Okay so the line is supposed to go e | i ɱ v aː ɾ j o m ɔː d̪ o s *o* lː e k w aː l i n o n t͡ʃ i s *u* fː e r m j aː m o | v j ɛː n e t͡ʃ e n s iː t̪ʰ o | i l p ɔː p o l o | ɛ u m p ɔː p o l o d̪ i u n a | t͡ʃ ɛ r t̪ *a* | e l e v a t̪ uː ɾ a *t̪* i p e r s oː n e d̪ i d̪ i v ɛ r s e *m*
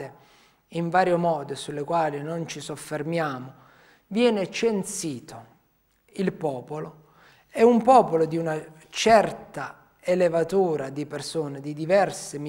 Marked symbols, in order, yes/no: no, no, yes, no, yes

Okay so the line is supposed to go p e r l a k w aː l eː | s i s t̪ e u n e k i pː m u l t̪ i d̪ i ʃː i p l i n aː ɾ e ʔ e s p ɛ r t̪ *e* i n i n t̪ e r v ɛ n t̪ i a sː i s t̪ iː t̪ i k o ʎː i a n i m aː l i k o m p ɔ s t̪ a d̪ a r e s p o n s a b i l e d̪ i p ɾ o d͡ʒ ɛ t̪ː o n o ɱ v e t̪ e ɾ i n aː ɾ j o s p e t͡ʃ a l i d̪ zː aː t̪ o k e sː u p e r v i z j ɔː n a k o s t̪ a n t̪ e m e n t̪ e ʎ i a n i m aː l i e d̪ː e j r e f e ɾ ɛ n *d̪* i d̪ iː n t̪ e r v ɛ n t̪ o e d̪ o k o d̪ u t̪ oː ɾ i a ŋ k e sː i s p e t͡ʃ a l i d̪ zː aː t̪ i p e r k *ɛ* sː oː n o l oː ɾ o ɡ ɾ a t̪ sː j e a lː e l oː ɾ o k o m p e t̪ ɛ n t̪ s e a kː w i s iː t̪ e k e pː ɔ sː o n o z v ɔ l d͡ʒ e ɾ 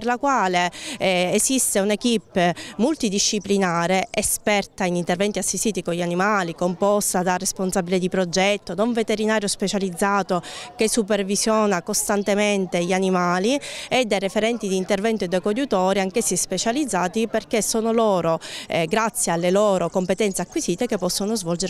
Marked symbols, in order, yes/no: no, no, no

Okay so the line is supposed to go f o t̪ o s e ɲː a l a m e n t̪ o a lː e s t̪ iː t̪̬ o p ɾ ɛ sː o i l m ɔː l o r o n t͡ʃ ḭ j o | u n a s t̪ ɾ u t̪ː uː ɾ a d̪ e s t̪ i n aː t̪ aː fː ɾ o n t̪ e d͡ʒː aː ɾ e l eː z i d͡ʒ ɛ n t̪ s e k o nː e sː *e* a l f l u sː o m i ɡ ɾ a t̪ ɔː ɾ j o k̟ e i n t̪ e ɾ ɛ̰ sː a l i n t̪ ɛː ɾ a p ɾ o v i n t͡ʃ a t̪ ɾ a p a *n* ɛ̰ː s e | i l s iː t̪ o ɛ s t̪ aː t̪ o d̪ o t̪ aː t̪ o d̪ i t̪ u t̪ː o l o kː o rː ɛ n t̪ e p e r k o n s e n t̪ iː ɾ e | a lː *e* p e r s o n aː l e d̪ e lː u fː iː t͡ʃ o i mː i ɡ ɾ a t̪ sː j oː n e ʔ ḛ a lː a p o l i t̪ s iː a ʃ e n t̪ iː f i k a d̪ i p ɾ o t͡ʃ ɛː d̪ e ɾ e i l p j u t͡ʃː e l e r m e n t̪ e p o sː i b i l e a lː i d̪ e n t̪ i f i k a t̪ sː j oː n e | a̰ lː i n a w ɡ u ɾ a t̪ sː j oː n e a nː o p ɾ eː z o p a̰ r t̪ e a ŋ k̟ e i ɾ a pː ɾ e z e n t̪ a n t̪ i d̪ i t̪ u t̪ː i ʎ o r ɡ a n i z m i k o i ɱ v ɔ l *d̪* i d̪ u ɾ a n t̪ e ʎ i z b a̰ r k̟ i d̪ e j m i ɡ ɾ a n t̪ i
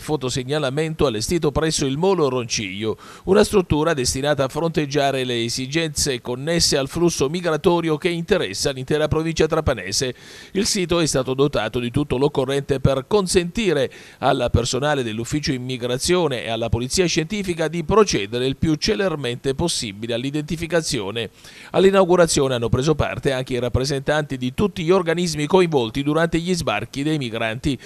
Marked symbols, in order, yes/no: yes, yes, no, no

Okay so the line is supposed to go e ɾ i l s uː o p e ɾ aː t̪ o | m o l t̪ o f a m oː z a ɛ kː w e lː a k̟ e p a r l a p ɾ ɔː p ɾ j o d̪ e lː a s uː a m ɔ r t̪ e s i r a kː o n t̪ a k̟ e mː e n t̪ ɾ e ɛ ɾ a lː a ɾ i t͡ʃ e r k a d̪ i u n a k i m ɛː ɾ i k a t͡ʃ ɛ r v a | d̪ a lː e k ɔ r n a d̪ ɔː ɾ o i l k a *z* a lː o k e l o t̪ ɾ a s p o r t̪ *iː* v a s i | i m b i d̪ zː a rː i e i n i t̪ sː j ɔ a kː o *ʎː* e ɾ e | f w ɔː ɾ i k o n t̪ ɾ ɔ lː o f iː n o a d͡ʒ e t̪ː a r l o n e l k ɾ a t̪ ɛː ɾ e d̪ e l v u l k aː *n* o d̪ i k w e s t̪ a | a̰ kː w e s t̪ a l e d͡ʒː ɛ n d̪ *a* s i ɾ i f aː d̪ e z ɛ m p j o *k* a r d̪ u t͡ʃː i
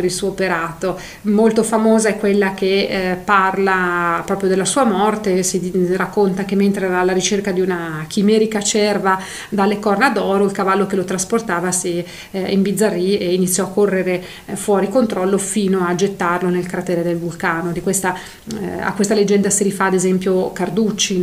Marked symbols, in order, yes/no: no, no, no, yes, yes, yes

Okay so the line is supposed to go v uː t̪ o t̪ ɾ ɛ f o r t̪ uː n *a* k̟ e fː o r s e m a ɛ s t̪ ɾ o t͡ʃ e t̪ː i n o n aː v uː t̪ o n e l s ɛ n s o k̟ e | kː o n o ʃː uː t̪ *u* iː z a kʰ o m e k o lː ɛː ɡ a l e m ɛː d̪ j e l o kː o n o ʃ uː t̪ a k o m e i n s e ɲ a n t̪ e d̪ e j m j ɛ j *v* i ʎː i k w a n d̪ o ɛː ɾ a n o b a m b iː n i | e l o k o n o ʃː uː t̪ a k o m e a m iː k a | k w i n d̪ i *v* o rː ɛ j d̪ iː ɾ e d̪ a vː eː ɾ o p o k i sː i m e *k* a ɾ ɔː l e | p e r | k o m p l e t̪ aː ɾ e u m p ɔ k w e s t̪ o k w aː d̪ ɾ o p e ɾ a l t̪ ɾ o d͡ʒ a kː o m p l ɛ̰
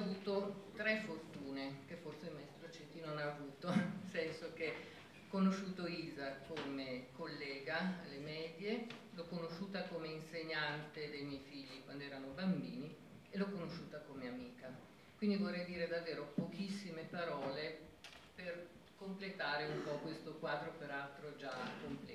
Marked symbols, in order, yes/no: no, no, no, yes, no

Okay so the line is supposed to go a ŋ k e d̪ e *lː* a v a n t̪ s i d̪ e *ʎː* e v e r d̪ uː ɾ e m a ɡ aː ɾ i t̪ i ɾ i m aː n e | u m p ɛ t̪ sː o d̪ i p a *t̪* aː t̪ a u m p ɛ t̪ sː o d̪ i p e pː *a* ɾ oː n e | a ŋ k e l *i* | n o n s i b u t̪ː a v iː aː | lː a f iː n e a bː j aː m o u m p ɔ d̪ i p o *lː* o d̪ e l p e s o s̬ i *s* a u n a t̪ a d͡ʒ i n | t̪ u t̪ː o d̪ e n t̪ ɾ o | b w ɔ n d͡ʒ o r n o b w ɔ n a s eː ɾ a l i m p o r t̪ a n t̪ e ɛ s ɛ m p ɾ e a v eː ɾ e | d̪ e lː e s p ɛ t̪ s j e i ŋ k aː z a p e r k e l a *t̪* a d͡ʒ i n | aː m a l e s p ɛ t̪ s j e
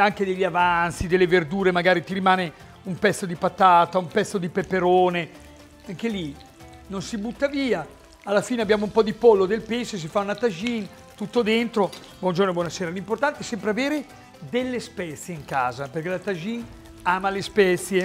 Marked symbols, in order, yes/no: no, no, yes, no, yes, yes, no, yes

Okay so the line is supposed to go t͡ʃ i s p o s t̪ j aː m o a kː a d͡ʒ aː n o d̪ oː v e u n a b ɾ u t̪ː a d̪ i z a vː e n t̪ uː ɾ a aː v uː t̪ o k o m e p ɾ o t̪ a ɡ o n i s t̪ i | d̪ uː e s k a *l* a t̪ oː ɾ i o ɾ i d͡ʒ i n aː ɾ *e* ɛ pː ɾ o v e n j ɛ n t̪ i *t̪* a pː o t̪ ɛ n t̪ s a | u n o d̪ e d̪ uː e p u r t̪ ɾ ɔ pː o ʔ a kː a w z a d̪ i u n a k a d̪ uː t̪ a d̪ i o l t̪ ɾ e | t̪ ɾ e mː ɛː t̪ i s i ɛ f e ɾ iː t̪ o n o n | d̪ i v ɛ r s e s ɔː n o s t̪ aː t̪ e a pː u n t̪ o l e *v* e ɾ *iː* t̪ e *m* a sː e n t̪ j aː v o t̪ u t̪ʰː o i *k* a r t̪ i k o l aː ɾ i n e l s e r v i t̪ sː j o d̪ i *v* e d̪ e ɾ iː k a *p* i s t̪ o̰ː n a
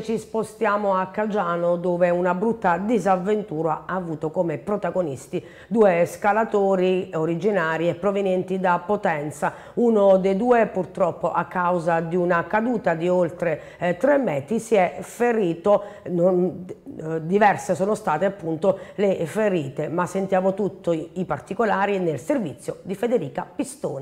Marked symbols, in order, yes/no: yes, no, no, no, yes, yes, no, no, yes

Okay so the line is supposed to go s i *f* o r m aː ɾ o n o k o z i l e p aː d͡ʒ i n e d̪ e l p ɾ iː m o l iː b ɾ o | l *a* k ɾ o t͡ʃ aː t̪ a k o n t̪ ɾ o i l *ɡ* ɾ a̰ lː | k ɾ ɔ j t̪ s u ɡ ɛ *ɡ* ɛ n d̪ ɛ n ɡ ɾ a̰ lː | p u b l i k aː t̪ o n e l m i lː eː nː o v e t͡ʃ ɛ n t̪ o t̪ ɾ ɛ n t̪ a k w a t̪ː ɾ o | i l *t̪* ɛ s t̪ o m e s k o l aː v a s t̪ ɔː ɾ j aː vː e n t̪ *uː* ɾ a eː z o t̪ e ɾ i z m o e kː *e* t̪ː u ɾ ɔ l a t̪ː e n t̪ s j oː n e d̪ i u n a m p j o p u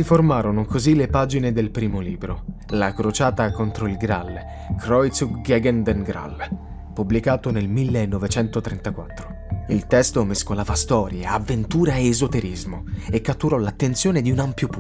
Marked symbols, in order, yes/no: yes, yes, yes, yes, yes, yes, no

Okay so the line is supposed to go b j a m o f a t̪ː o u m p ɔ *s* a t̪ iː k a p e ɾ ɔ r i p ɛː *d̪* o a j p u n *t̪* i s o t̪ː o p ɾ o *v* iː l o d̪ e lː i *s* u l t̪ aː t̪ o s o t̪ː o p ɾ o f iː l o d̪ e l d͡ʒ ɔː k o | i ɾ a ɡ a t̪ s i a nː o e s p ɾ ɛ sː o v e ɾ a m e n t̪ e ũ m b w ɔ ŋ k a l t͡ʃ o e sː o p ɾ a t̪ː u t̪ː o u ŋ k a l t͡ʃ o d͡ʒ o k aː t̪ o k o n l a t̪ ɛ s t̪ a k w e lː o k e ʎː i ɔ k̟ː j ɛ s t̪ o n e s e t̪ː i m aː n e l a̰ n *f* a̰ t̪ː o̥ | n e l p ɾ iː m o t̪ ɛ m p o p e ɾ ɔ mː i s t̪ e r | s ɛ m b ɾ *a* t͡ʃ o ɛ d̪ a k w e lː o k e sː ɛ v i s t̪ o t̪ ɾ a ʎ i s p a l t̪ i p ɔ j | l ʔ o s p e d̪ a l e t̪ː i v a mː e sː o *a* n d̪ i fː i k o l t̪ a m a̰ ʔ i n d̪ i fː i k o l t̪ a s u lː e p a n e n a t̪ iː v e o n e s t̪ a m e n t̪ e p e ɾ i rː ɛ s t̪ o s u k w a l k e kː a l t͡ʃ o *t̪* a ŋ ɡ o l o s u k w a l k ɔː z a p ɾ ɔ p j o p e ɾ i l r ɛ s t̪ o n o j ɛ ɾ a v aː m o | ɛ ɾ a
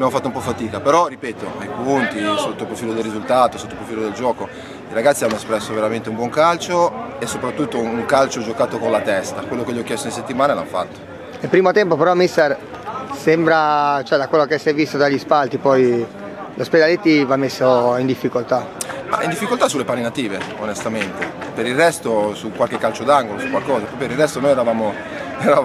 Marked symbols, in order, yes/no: no, no, yes, no, no, yes, yes, no, no

